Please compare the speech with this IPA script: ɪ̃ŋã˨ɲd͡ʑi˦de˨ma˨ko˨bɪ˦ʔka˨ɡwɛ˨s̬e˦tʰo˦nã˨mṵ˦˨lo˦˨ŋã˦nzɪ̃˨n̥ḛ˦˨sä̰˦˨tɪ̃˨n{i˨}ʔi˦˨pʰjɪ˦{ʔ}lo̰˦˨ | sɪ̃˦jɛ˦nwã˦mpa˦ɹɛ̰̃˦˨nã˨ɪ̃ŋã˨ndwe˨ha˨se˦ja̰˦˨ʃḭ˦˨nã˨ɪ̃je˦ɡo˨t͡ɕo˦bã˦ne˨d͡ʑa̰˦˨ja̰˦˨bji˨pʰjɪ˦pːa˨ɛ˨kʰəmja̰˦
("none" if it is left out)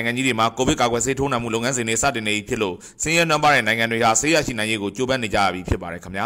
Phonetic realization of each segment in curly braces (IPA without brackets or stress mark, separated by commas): e˨, ʔ